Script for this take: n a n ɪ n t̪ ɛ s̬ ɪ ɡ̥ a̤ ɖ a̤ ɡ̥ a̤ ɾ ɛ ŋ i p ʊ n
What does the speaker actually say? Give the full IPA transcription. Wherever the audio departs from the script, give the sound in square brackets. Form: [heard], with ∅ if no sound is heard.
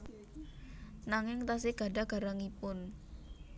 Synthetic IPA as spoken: n a [ŋ] ɪ [ŋ] t̪ [a] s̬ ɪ ɡ̥ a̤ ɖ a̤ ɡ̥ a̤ ɾ [a] ŋ i p ʊ n